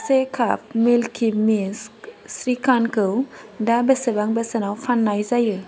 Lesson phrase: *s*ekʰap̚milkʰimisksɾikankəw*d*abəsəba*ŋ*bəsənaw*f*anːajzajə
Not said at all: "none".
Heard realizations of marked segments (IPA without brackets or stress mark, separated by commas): s, d, ŋ, f